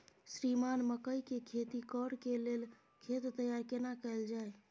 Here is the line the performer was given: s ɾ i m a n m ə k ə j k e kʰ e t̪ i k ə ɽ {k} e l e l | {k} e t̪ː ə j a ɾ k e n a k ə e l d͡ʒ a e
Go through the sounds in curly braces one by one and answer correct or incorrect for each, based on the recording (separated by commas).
correct, incorrect